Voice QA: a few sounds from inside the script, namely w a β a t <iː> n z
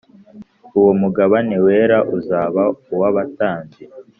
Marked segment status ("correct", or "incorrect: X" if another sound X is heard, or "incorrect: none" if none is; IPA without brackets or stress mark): incorrect: aː